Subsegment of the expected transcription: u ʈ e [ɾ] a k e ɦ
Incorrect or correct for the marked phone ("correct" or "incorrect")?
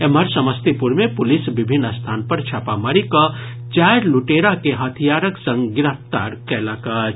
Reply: correct